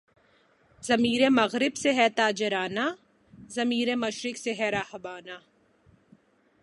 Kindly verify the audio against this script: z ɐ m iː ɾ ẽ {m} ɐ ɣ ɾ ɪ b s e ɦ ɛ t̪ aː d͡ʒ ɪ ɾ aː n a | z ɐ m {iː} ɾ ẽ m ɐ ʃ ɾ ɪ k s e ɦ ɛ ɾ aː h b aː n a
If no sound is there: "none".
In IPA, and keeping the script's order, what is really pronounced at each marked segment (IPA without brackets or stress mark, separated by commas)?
m, iː